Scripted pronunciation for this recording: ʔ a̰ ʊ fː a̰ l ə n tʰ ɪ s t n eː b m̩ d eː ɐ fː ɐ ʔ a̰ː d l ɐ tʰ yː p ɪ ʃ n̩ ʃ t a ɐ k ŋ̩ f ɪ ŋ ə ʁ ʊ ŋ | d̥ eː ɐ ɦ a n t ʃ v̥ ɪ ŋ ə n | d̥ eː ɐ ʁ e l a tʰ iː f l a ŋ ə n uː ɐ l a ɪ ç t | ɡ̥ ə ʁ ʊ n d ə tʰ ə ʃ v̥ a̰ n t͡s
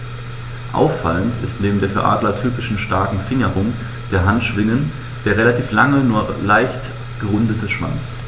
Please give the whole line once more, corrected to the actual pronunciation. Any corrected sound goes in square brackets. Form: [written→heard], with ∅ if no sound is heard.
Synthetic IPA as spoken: ʔ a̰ ʊ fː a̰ l ə n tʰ ɪ s t n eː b m̩ d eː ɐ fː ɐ ʔ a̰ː d l ɐ tʰ yː p ɪ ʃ n̩ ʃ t a ɐ k ŋ̩ f ɪ ŋ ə ʁ ʊ ŋ | d̥ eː ɐ ɦ a n t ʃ v̥ ɪ ŋ ə n | d̥ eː ɐ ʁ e l a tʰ iː f l a ŋ ə n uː ɐ l a ɪ ç t | ɡ̥ ə ʁ ʊ n d ə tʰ ə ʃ v̥ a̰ n t͡s